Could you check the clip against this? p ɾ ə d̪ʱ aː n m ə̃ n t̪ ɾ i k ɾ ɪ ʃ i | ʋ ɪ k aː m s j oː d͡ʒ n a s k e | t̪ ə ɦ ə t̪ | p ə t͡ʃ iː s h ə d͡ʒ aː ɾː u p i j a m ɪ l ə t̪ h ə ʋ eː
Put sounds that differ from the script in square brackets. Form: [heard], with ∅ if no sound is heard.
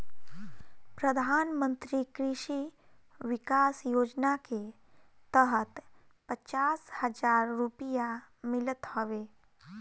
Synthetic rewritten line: p ɾ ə d̪ʱ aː n m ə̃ n t̪ ɾ i k ɾ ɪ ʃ i | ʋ ɪ k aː [∅] s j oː d͡ʒ n a [∅] k e | t̪ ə ɦ ə t̪ | p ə t͡ʃ [aː] s h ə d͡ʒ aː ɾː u p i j a m ɪ l ə t̪ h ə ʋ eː